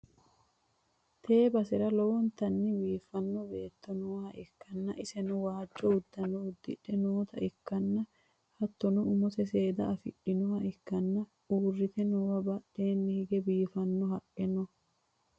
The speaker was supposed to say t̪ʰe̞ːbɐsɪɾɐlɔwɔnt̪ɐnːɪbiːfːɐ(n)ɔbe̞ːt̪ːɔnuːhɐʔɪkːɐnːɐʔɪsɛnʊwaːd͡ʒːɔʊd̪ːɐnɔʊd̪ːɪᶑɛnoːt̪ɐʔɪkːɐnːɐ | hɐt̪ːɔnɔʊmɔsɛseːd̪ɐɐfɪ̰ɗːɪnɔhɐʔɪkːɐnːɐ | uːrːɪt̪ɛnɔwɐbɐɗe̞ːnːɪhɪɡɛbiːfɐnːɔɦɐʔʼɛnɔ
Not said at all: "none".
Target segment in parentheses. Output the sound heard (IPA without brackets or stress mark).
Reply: nː